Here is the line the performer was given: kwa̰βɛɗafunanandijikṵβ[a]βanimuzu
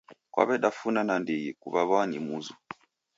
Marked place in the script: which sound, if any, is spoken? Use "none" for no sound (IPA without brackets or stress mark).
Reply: a